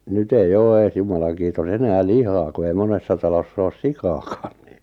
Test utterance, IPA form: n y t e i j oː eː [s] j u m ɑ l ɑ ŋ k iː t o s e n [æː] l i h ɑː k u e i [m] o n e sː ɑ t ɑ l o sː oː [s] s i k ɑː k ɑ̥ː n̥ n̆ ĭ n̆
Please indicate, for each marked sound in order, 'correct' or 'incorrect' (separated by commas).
correct, correct, correct, correct